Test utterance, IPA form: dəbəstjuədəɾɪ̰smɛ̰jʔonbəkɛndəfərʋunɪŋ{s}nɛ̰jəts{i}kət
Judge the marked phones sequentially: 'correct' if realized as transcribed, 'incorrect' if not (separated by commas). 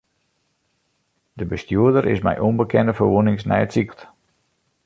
correct, correct